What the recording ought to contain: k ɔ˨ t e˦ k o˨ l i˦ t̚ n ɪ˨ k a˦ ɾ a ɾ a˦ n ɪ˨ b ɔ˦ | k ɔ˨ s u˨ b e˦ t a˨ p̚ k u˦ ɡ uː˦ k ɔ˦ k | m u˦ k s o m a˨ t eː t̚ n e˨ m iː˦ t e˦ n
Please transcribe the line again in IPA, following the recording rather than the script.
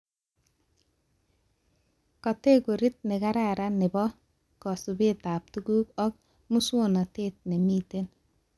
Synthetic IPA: k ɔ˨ t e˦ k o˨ ɾ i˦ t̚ n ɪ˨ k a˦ ɾ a ɾ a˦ n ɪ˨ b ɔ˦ | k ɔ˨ s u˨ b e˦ t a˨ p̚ t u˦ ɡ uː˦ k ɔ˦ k | m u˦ s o n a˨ t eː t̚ n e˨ m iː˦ t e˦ n